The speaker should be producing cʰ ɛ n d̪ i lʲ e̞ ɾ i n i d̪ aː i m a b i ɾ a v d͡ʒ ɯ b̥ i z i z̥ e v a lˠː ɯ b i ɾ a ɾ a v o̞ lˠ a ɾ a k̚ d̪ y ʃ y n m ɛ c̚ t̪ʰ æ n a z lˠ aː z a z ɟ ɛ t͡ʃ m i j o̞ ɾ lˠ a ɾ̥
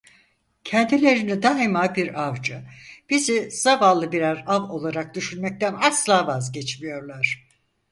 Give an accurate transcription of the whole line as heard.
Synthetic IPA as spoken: cʰ ɛ n d̪ i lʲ e̞ ɾ i n i d̪ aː i m a b i ɾ a v d͡ʒ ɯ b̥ i z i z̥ a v a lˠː ɯ b i ɾ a ɾ a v o̞ lˠ a ɾ a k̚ d̪ y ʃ y n m ɛ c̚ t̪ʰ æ n a s lˠ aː v a z ɟ ɛ t͡ʃ m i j o̞ ɾ lˠ a ɾ̥